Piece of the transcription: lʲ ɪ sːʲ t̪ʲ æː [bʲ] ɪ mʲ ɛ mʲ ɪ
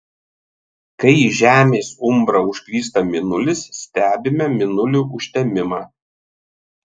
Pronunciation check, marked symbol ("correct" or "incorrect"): correct